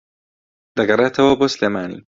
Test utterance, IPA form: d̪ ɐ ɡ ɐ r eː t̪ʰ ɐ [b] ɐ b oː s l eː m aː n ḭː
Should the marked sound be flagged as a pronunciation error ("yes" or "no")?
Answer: yes